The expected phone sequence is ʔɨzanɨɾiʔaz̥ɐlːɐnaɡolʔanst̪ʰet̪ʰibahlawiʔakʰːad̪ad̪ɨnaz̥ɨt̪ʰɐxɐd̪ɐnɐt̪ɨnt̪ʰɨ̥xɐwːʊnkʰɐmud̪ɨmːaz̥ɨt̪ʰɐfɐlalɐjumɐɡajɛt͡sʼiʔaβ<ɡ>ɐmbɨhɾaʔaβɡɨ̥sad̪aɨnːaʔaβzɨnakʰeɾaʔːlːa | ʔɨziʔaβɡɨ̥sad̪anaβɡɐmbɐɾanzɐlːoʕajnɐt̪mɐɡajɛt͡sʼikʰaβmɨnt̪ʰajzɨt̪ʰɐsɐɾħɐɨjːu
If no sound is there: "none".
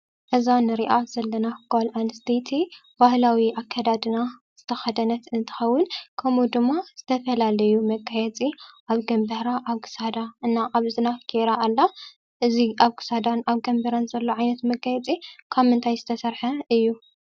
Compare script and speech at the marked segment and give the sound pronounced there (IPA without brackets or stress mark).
ɡ